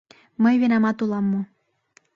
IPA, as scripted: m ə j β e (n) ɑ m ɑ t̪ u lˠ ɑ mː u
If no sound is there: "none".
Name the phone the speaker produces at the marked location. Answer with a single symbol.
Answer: n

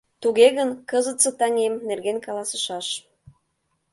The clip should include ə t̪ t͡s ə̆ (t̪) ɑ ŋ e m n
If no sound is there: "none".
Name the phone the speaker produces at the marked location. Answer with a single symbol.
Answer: t̪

